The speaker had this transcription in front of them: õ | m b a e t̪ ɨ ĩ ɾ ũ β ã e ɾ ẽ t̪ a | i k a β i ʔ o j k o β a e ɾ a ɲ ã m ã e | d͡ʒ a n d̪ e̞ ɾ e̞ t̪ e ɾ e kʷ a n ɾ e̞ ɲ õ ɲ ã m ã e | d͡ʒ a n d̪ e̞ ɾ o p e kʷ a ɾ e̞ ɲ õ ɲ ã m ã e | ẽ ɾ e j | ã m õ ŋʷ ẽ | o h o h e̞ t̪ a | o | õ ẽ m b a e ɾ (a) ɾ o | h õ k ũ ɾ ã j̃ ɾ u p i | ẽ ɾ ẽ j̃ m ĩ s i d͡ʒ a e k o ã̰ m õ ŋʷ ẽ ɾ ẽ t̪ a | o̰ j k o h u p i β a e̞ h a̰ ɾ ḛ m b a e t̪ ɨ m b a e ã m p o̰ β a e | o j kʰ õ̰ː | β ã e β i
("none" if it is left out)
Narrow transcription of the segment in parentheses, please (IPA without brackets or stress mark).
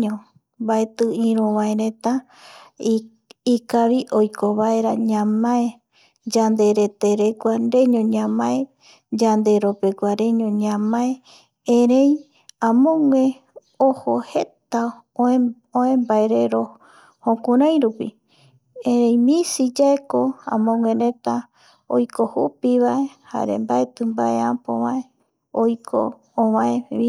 e